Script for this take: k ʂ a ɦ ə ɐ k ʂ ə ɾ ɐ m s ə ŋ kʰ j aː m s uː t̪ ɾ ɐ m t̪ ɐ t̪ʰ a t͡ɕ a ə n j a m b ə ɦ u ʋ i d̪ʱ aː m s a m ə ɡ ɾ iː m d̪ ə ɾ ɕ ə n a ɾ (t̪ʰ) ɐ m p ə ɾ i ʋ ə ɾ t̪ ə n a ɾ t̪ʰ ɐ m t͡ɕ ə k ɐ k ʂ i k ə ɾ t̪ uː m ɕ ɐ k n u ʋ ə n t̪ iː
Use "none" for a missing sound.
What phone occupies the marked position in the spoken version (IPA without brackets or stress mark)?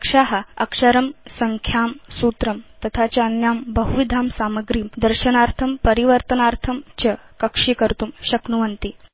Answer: t̪ʰ